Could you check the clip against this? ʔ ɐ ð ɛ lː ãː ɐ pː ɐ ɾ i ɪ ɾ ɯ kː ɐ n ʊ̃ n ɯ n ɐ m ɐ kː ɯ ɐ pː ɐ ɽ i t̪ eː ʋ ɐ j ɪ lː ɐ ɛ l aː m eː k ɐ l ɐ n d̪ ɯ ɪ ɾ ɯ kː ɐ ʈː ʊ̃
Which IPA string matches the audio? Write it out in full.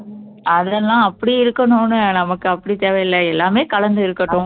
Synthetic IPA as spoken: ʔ ɐ ð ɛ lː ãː ɐ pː ɐ ɽ i ɪ ɾ ɯ kː ɐ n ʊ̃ n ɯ n ɐ m ɐ kː ɯ ɐ pː ɐ ɽ i t̪ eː ʋ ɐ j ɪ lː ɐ ɛ lː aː m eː k ɐ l ɐ n d̪ ɯ ɪ ɾ ɯ kː ɐ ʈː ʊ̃